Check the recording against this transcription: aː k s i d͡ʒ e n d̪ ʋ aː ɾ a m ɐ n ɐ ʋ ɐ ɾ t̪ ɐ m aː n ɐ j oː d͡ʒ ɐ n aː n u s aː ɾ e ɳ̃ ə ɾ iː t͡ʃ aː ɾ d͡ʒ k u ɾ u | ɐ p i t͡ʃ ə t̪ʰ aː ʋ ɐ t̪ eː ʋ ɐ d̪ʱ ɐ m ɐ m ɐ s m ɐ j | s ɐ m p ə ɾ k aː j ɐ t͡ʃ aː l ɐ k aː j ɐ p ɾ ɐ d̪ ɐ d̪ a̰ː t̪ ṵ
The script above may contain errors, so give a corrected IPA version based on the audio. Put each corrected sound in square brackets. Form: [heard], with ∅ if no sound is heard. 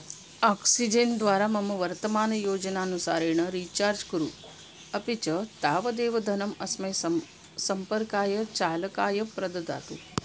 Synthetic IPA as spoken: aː k s i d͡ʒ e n d̪ ʋ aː ɾ a m ɐ [m] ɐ ʋ ɐ ɾ t̪ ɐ m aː n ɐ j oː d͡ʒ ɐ n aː n u s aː ɾ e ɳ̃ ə ɾ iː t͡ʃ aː ɾ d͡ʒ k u ɾ u | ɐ p i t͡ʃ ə [t̪] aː ʋ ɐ [d̪] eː ʋ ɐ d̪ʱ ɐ [n] ɐ m ɐ s m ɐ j | s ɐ m p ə ɾ k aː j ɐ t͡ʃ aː l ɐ k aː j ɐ p ɾ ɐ d̪ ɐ d̪ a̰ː t̪ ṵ